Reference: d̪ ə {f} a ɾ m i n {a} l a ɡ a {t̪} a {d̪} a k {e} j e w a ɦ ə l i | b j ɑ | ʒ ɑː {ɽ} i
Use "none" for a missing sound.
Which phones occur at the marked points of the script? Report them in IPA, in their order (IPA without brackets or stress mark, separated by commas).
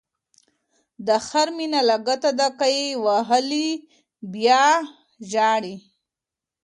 x, a, t̪, d̪, a, ɽ